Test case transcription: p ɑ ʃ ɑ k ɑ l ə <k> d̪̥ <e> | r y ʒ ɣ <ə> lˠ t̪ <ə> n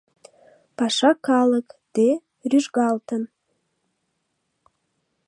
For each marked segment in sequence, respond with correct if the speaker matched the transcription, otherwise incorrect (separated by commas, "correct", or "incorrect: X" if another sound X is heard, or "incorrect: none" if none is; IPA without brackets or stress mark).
correct, correct, incorrect: ɑ, correct